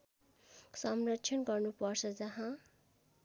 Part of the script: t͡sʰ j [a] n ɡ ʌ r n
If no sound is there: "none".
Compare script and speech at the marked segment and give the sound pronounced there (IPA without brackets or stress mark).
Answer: ʌ